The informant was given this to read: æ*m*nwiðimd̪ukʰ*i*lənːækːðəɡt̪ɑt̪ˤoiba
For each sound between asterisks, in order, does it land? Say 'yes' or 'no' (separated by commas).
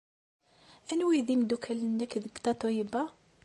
no, no